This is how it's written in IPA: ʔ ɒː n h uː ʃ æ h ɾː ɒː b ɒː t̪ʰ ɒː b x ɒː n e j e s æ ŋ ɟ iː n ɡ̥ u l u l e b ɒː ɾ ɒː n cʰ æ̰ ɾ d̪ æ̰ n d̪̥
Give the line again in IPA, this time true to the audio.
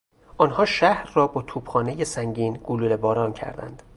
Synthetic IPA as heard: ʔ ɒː n h ɒː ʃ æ h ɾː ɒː b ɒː t̪ʰ uː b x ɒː n e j e s æ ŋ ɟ iː n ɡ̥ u l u l e b ɒː ɾ ɒː n cʰ æ̰ ɾ d̪ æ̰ n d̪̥